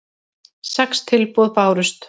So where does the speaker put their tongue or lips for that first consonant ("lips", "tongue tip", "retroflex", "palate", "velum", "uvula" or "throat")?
tongue tip